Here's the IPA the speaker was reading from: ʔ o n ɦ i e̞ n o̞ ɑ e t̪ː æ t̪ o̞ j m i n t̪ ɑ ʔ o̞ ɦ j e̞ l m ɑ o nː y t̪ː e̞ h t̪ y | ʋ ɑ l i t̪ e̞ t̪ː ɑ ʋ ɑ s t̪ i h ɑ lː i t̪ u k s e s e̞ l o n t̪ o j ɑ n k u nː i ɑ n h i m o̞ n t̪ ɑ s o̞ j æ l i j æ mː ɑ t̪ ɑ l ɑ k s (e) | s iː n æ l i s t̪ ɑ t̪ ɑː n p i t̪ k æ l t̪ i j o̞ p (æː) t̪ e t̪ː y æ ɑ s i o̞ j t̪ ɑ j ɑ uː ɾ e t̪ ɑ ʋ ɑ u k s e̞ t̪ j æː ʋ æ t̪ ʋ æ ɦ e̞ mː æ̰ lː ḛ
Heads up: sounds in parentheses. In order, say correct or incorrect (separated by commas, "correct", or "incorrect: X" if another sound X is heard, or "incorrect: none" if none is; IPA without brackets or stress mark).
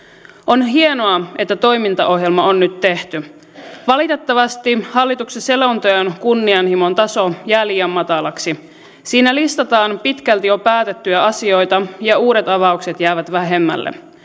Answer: incorrect: i, correct